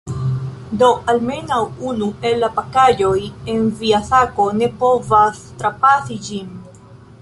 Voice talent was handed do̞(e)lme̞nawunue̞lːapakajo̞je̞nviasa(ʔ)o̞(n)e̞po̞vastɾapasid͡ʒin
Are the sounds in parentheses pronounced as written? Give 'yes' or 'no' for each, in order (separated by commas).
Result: no, no, yes